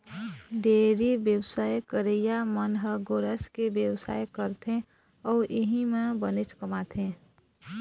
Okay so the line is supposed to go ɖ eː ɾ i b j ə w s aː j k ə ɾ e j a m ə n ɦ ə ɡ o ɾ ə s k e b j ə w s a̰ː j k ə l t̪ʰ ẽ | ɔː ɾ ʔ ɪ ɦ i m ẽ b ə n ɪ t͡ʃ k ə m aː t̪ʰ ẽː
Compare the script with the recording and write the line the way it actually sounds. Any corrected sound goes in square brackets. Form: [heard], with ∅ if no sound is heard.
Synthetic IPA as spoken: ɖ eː ɾ i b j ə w s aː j k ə ɾ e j a m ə n ɦ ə ɡ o ɾ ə s k e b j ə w s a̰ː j k ə [ɾ] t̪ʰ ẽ | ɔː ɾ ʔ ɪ ɦ i m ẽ b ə n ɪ t͡ʃ k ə m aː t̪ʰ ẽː